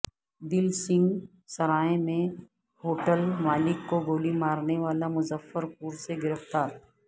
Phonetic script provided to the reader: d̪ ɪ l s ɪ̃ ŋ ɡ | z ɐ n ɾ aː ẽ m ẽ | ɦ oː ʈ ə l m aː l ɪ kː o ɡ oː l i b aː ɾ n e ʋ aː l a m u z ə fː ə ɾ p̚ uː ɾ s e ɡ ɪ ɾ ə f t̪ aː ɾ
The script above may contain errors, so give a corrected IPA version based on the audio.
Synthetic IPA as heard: d̪ ɪ l s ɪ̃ ŋ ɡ | s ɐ ɾ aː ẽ m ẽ | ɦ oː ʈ ə l m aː l ɪ kː o ɡ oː l i m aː ɾ n e ʋ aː l a m ʊ z ə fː ə ɾ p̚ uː ɾ s e ɡ ɪ ɾ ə f t̪ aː ɾ